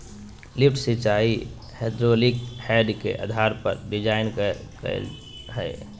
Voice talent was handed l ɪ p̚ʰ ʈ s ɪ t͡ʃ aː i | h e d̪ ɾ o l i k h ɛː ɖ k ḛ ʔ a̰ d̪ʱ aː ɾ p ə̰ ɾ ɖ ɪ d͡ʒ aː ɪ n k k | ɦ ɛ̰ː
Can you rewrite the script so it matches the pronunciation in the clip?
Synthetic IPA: l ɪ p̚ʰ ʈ s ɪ t͡ʃ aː i | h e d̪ ɾ o l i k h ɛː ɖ k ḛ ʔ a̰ d̪ʱ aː ɾ p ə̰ ɾ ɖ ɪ d͡ʒ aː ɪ n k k | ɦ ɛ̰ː